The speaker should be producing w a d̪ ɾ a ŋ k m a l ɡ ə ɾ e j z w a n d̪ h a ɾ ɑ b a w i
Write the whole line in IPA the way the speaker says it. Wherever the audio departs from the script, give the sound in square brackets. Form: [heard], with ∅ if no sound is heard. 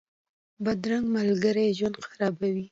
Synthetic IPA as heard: [b] a d̪ ɾ a ŋ [ɡ] m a l ɡ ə ɾ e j [ʒ] w a n d̪ [x] a ɾ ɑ b a w i